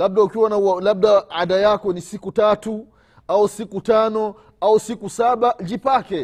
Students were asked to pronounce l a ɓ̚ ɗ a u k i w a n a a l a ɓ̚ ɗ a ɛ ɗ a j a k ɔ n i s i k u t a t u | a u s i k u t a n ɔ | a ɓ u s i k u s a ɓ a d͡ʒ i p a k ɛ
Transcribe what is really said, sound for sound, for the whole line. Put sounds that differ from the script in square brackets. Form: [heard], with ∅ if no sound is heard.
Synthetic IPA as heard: l a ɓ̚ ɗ a u k i w a n a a l a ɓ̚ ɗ a [a] ɗ a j a k ɔ n i s i k u t a t u | a u s i k u t a n ɔ | a [∅] u s i k u s a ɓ a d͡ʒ i p a k ɛ